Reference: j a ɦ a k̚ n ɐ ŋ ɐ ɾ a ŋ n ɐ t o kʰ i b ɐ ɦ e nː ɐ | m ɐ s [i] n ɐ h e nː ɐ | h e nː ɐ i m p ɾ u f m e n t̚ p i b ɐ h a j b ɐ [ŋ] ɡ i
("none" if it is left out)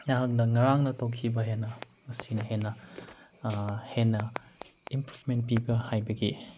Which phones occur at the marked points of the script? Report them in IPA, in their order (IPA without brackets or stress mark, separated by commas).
i, none